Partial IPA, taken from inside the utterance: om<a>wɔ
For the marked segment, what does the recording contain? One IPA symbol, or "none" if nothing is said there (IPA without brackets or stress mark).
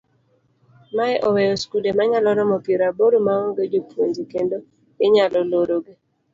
a